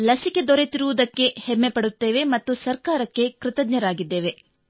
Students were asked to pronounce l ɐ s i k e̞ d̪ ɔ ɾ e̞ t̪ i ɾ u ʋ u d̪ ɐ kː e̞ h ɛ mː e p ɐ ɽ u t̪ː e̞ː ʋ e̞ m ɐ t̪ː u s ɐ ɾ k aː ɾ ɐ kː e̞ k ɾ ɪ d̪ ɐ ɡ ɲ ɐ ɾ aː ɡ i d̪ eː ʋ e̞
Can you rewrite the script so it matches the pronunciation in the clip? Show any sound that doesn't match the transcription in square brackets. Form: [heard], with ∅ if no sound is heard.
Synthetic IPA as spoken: l ɐ s i k e̞ d̪ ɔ ɾ e̞ t̪ i ɾ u ʋ u d̪ ɐ kː e̞ h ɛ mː e p ɐ ɽ u t̪ː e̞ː ʋ e̞ m ɐ t̪ː u s ɐ ɾ k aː ɾ ɐ kː e̞ k ɾ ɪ [t̪] ɐ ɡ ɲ ɐ ɾ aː ɡ i [d̪ː] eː ʋ e̞